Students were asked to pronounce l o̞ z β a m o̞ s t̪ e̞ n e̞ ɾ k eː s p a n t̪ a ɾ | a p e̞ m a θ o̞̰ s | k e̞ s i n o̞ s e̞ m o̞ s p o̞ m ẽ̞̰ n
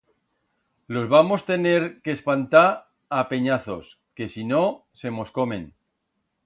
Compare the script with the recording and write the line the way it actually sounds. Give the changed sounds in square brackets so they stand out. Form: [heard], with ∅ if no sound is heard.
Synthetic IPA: l o̞ z β a m o̞ s t̪ e̞ n e̞ ɾ k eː s p a n t̪ a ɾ | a p e̞ [ɲ] a θ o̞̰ s | k e̞ s i n o̞ s e̞ m o̞ s [k] o̞ m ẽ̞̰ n